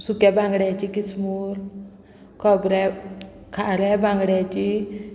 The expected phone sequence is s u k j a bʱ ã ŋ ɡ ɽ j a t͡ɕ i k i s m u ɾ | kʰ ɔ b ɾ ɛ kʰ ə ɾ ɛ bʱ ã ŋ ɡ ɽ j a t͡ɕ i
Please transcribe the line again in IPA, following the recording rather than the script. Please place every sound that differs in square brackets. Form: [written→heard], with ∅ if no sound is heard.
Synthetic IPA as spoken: s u k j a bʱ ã ŋ ɡ ɽ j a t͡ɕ i k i s m u ɾ | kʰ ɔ b ɾ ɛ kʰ [ə→a] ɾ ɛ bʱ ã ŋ ɡ ɽ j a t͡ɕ i